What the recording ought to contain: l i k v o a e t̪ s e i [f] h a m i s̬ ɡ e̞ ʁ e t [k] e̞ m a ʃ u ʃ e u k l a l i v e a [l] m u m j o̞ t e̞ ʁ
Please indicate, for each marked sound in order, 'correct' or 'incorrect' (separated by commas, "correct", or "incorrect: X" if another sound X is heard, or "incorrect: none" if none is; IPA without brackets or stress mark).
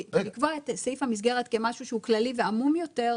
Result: correct, correct, incorrect: none